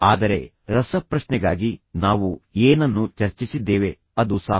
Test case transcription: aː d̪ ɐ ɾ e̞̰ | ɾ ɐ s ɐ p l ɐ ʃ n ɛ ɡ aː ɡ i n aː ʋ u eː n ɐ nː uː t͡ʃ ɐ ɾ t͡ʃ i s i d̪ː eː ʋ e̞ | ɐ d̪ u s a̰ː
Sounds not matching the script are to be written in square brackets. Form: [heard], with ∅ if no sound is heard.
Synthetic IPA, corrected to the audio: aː d̪ ɐ ɾ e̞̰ | ɾ ɐ s ɐ p [ɾ] ɐ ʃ n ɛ ɡ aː ɡ i n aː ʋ u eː n ɐ nː [u] t͡ʃ ɐ ɾ t͡ʃ i s i d̪ː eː ʋ e̞ | ɐ d̪ u s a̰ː